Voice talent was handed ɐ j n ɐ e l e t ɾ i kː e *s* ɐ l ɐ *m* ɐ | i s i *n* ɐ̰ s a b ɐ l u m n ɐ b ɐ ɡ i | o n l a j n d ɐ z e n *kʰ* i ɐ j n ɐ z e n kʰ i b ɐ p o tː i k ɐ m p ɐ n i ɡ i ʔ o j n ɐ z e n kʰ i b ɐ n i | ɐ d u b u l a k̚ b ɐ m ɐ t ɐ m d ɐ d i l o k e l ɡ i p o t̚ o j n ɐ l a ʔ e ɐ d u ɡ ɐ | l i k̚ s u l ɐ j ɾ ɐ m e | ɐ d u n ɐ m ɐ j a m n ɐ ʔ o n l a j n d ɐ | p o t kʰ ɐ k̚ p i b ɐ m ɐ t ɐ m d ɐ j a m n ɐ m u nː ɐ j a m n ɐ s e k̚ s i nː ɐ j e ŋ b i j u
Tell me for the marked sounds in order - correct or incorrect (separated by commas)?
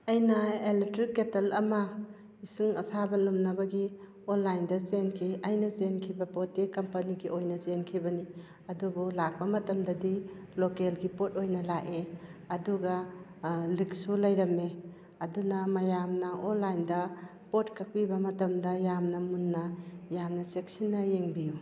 incorrect, correct, incorrect, correct